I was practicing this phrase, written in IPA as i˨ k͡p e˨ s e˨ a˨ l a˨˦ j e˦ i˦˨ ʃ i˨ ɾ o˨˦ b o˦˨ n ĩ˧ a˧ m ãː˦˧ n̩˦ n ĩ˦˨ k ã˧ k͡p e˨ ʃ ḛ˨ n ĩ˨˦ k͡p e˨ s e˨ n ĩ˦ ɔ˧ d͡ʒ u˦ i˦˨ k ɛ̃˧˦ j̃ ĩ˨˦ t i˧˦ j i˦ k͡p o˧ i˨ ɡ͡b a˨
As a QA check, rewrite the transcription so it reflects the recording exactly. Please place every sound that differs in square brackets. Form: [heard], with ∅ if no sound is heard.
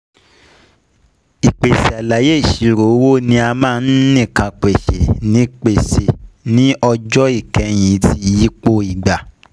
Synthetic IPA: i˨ k͡p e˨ s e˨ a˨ l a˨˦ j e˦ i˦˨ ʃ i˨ ɾ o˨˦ [w] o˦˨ n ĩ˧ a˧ m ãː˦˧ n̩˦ n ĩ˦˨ k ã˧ k͡p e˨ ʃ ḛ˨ n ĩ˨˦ k͡p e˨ s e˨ n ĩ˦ ɔ˧ d͡ʒ [ɔ˦] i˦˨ k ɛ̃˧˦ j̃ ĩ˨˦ t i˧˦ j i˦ k͡p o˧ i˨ ɡ͡b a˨